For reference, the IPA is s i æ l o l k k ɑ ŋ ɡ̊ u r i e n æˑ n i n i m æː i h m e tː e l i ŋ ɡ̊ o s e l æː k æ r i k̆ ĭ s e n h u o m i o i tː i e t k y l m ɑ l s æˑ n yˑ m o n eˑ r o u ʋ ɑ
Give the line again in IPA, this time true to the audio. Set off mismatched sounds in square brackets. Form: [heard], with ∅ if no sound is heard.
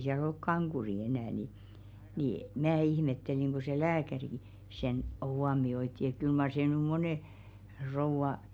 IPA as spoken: s i æ l o l k k ɑ ŋ ɡ̊ u r i e n æˑ n i n i m æː i h m e tː e l i ŋ ɡ̊ o s e l æː k æ r i k̆ ĭ s e n h u o m i o i tː i e t k y l m ɑ [r] s [eˑ] n yˑ m o n eˑ r o u ʋ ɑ